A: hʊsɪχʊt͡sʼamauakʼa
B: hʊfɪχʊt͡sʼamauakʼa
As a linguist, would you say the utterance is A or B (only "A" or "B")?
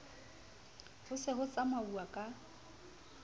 A